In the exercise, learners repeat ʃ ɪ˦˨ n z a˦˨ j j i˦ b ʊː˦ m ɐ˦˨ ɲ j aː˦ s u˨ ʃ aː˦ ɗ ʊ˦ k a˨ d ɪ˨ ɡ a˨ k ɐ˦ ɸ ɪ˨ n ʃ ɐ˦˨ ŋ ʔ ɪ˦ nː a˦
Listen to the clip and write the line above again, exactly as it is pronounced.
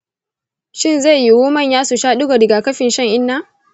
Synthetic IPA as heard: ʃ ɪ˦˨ n z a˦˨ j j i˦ w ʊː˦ m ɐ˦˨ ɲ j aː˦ s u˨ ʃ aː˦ ɗ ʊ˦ ɡ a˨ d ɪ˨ ɡ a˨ k ɐ˦ ɸ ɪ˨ n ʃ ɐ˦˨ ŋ ʔ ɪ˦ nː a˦